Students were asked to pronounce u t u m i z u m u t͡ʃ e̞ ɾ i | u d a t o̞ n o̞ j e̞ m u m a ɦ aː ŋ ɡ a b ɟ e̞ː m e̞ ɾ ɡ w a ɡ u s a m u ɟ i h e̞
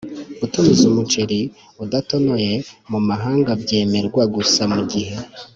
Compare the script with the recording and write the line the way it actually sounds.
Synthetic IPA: u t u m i z u m u t͡ʃ e̞ ɾ i | u d a t o̞ n o̞ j e̞ m u m a ɦ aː ŋ ɡ a b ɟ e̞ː m e̞ ɾ ɡ w a ɡ u s a m u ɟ i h e̞